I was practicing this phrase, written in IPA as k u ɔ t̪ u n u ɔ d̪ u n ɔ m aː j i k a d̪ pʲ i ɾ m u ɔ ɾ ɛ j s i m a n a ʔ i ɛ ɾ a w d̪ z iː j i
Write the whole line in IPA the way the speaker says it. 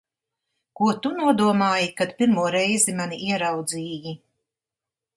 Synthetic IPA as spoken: k u ɔ t̪ u n u ɔ d̪ u ɔ m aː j i k a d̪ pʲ i ɾ m u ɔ ɾ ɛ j z i m a n i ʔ i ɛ ɾ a w d̪ z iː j i